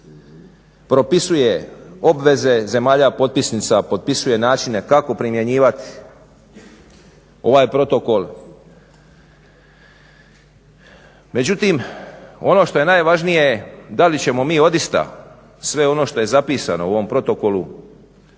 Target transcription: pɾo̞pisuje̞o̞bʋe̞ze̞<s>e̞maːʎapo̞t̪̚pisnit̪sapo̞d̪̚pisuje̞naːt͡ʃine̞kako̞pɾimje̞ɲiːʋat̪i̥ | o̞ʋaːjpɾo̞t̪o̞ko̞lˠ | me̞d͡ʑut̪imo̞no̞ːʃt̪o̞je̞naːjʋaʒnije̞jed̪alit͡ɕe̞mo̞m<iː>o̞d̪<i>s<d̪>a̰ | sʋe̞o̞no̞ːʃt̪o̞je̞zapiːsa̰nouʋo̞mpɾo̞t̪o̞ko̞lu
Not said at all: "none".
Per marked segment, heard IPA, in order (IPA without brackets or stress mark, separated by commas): z, iː, i, t̪